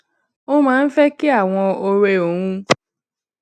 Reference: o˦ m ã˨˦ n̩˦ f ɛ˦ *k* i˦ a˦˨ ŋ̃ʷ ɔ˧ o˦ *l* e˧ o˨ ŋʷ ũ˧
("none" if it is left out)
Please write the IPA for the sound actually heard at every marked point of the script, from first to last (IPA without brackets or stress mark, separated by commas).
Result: k, ɾ